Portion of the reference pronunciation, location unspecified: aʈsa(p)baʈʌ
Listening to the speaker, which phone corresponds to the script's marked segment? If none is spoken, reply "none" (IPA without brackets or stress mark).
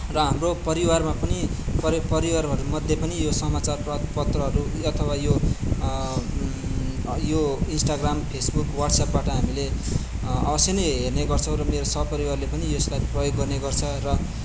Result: p